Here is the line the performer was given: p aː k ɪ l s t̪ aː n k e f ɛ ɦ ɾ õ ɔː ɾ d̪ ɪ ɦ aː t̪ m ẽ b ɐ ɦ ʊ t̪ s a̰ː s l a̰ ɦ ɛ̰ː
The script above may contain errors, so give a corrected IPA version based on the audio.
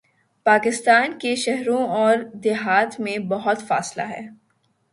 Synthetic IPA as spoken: p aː k ɪ s t̪ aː n k e ʃ ɛ ɦ ɾ õ ɔː ɾ d̪ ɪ ɦ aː t̪ m ẽ b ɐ ɦ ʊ t̪ f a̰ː s l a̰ ɦ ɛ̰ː

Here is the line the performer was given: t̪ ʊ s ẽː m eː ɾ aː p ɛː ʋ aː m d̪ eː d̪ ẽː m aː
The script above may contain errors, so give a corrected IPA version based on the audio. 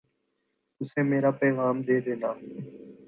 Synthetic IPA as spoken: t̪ ʊ s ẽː m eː ɾ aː p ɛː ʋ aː m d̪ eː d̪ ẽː n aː

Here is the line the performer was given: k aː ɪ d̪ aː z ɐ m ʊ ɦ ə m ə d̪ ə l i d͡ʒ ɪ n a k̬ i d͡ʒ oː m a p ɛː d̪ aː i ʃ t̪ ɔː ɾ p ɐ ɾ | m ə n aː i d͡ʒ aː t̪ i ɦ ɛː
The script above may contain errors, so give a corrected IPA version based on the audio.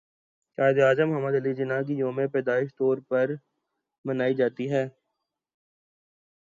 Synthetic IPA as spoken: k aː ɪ d̪ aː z ə m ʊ ɦ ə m ə d̪ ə l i d͡ʒ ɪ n a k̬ i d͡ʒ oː m e p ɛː d̪ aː ɪ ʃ t̪ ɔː ɾ p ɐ ɾ | m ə n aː i d͡ʒ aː t̪ i ɦ ɛː

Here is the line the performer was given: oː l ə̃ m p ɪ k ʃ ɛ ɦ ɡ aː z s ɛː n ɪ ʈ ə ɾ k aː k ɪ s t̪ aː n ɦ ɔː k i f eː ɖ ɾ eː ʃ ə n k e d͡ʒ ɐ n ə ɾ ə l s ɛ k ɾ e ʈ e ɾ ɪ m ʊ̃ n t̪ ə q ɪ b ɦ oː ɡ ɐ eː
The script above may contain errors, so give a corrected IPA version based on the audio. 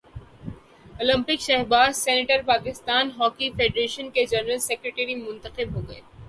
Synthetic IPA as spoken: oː l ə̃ m p ɪ k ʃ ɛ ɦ b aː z s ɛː n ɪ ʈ ə ɾ p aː k ɪ s t̪ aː n ɦ ɔː k i f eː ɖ ɾ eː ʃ ə n k e d͡ʒ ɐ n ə ɾ ə l s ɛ k ɾ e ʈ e ɾ i m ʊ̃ n t̪ ə q ɪ b ɦ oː ɡ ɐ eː

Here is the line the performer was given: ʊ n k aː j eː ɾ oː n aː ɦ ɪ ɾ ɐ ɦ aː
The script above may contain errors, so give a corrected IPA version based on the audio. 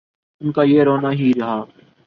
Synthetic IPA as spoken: ʊ n k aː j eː ɾ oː n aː ɦ i ɾ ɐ ɦ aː

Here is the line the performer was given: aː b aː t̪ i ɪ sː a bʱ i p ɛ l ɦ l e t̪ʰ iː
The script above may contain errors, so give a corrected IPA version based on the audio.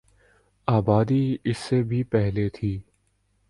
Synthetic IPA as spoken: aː b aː d̪ i ɪ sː e bʱ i p ɛ ɦ l e t̪ʰ iː

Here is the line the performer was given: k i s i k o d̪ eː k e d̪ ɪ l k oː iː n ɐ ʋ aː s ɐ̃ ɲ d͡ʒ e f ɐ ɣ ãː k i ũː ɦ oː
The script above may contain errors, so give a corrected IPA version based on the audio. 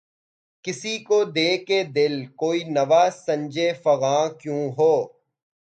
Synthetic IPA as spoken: k ɪ s i k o d̪ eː k e d̪ ɪ l k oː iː n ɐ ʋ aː s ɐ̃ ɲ d͡ʒ e f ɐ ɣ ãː k j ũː ɦ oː

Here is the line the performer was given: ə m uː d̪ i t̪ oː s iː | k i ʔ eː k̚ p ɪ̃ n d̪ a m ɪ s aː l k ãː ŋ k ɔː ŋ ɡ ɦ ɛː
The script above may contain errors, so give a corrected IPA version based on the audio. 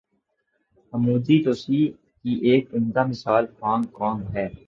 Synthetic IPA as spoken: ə m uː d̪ i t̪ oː s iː | k i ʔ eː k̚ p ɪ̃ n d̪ a m ɪ s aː l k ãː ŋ k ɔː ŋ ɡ ɦ ɛː

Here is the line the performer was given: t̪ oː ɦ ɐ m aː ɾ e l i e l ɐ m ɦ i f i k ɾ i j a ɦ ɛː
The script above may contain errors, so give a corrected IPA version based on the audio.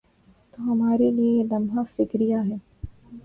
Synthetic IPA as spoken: t̪ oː ɦ ɐ m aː ɾ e l i e l ɐ m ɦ a f ɪ k ɾ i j a ɦ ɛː

